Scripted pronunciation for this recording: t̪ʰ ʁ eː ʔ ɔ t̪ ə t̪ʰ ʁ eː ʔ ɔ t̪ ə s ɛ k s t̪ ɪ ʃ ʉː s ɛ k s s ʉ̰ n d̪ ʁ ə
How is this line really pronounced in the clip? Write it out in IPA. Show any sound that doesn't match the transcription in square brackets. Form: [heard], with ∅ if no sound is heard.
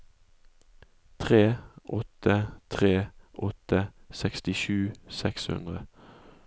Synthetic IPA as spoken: t̪ʰ ʁ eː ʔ ɔ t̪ ə t̪ʰ ʁ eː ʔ ɔ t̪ ə s ɛ k s t̪ ɪ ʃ ʉː s ɛ k s [h] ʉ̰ n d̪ ʁ ə